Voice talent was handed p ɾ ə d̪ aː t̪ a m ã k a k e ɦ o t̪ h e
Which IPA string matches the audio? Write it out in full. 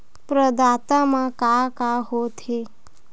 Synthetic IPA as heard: p ɾ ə d̪ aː t̪ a m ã k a k a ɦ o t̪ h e